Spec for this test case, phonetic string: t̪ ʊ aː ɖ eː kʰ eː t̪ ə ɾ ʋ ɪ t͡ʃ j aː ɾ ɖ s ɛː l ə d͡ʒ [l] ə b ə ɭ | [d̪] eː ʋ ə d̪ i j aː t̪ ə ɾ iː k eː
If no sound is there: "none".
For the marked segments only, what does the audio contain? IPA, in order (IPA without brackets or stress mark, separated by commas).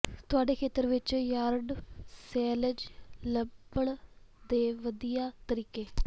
l, d̪